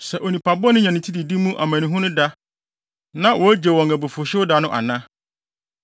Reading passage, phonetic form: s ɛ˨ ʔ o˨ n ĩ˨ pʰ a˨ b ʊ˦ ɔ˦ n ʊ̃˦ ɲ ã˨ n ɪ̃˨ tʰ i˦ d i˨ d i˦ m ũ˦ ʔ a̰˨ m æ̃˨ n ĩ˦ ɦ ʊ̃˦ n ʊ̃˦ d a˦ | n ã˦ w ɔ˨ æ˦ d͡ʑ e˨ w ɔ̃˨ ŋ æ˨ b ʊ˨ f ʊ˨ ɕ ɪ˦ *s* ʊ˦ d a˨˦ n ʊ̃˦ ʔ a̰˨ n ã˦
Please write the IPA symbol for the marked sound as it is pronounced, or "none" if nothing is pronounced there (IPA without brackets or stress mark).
none